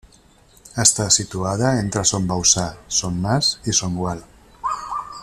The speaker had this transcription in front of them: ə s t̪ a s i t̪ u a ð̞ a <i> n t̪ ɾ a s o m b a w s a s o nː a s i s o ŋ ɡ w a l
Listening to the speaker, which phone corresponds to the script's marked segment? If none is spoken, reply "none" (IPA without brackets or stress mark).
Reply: e